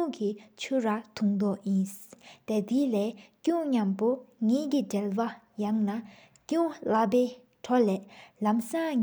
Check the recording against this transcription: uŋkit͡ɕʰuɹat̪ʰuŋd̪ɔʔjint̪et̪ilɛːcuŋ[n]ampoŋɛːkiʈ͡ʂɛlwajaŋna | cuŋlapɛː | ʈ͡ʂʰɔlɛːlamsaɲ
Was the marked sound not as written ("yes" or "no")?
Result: yes